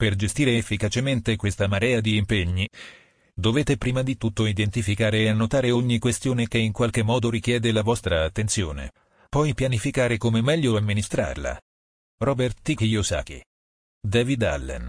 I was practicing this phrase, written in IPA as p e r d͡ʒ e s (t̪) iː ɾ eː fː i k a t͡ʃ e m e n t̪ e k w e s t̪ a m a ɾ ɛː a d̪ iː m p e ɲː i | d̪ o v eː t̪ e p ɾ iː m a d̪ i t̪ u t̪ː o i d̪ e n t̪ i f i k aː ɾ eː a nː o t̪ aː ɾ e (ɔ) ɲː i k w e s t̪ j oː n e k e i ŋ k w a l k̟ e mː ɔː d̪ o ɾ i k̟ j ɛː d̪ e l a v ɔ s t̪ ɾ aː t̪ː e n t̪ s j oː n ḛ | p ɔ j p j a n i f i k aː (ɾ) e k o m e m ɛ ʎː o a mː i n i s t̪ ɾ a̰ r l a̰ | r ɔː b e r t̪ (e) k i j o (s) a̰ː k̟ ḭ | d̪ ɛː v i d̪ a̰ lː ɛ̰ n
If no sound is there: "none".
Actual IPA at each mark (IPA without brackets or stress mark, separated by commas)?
t̪, o, ɾ, i, s